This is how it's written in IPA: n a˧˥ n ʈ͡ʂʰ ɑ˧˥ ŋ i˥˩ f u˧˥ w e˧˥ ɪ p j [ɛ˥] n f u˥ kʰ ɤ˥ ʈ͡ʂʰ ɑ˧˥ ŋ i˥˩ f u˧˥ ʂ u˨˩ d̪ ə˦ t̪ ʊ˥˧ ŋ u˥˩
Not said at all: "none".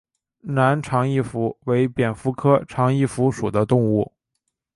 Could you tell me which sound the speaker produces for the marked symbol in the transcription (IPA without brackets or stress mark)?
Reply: ɛ˨˩